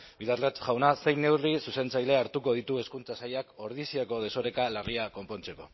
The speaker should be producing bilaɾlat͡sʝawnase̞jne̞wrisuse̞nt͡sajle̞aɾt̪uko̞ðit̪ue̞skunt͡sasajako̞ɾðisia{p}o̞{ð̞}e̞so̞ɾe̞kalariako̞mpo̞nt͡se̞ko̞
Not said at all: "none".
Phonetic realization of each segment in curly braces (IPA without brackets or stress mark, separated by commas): k, ð̞